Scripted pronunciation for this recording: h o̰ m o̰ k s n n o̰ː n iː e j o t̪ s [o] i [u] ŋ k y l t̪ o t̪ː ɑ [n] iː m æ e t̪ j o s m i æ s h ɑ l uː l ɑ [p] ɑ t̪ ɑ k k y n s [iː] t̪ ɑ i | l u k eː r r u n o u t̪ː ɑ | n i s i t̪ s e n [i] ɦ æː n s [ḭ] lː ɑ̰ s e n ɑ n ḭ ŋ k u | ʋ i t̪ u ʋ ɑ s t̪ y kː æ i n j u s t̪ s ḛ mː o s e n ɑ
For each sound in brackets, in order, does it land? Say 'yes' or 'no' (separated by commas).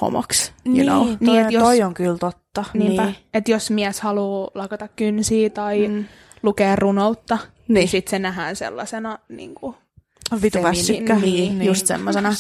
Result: yes, no, yes, no, yes, no, no